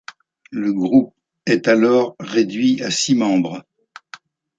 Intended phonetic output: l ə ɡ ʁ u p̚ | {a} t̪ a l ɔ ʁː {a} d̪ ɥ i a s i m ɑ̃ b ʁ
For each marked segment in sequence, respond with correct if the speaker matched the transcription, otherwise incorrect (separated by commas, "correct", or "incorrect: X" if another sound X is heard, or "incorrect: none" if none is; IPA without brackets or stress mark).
incorrect: ɛ, incorrect: e